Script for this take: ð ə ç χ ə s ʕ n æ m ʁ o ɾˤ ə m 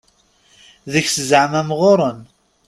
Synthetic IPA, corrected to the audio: ð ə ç s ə z ʕ m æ m ʁ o ɾˤ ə n